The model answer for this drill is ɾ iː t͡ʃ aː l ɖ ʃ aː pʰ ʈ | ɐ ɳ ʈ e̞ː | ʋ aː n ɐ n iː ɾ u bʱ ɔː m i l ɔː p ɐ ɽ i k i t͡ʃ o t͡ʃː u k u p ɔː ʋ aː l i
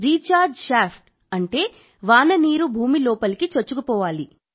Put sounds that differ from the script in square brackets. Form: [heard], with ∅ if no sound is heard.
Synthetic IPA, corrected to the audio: ɾ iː t͡ʃ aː [ɾ] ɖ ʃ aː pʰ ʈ | ɐ ɳ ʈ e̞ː | ʋ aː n ɐ n iː ɾ u bʱ [uː] m i l ɔː p ɐ [l] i k i t͡ʃ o t͡ʃː u k u p ɔː ʋ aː l i

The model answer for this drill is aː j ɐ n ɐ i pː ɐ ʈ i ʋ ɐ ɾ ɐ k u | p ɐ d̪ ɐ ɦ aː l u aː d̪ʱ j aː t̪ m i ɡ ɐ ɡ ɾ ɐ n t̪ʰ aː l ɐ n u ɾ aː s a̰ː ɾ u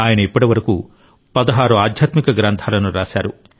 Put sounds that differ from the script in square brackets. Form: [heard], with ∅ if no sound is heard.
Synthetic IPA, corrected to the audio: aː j ɐ n ɐ i pː ɐ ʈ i ʋ ɐ ɾ ɐ k u | p ɐ d̪ ɐ ɦ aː [ɾ] u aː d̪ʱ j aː t̪ m i [k] ɐ ɡ ɾ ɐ n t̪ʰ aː l ɐ n u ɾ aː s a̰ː ɾ u

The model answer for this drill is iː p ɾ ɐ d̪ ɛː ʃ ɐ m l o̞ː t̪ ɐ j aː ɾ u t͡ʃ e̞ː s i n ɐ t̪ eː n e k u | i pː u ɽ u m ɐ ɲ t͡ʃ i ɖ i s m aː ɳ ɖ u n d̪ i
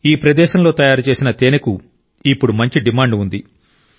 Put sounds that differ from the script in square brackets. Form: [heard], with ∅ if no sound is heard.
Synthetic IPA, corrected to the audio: iː p ɾ ɐ d̪ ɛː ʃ ɐ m l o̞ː t̪ ɐ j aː ɾ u t͡ʃ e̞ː s i n ɐ t̪ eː n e k u | i pː u ɽ u m ɐ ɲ t͡ʃ i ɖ i [∅] m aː ɳ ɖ u n d̪ i

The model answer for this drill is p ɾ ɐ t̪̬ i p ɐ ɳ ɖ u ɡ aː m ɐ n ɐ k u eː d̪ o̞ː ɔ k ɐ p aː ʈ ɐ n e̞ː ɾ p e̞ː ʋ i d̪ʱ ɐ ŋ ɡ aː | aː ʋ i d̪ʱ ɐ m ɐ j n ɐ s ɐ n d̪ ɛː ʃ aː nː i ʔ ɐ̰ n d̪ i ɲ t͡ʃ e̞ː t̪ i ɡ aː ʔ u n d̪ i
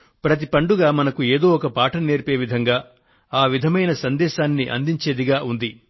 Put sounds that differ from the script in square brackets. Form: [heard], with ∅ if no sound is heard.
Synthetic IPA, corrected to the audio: p ɾ ɐ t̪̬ i p ɐ ɳ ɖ u ɡ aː m ɐ n ɐ k u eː d̪ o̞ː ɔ k ɐ p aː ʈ ɐ n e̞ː ɾ p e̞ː ʋ i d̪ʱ ɐ ŋ ɡ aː | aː ʋ i d̪ʱ ɐ m ɐ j n ɐ s ɐ n d̪ ɛː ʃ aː nː i ʔ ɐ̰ n d̪ i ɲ t͡ʃ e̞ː [d̪] i ɡ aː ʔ u n d̪ i

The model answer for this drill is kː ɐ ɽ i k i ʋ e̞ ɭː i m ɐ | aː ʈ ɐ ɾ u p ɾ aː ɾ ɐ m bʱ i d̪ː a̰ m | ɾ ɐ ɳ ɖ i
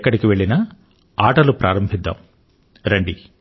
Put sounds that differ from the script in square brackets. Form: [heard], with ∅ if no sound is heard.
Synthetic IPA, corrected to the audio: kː ɐ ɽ i k i ʋ e̞ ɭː i [n] ɐ | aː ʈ ɐ [l] u p ɾ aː ɾ ɐ m bʱ i d̪ː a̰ m | ɾ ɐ ɳ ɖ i

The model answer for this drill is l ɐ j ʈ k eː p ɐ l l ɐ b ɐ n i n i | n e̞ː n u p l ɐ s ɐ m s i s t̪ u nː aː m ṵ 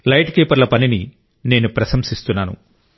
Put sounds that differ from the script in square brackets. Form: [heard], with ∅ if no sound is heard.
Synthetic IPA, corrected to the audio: l ɐ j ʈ k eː p ɐ [ɾ] l ɐ [p] ɐ n i n i | n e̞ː n u p [ɾ] ɐ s ɐ m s i s t̪ u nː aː [n] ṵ

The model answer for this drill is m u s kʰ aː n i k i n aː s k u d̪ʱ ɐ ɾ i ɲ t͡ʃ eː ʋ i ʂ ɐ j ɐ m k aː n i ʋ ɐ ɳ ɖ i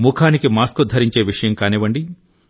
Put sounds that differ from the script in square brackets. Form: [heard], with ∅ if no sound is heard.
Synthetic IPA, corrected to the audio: m u [∅] kʰ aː n i k i [m] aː s k u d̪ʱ ɐ ɾ i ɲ t͡ʃ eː ʋ i ʂ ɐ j ɐ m k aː n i ʋ ɐ ɳ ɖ i

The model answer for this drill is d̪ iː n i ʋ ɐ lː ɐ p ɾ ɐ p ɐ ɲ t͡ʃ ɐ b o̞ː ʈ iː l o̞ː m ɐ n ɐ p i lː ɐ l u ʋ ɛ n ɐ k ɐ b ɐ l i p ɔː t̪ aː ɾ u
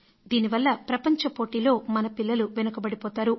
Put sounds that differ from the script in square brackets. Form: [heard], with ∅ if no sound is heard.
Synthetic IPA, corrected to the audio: d̪ iː n i ʋ ɐ lː ɐ p ɾ ɐ p ɐ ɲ t͡ʃ ɐ [p] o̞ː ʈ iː l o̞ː m ɐ n ɐ p i lː ɐ l u ʋ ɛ n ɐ k ɐ b ɐ [ɽ] i p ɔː t̪ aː ɾ u

